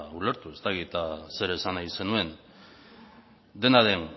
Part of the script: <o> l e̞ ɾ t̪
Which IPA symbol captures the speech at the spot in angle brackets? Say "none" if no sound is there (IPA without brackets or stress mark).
u